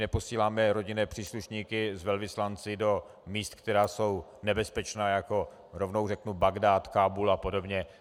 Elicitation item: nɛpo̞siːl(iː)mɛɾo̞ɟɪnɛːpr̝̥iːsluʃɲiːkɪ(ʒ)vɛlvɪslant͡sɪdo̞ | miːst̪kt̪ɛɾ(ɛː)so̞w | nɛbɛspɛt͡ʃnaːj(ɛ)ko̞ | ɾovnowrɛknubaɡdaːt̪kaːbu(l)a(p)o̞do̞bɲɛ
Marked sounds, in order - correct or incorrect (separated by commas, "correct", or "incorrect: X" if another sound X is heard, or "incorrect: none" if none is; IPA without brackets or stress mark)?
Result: incorrect: aː, incorrect: z, incorrect: aː, incorrect: a, correct, correct